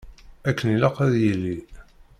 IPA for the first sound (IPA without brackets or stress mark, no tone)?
æ